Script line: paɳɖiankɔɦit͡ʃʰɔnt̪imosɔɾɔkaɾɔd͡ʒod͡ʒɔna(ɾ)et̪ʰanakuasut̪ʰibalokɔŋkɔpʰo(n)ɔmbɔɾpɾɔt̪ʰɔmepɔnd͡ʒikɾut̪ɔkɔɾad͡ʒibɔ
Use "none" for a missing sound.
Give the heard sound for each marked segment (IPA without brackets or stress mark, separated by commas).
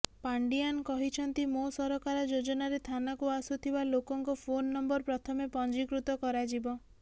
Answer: ɾ, nː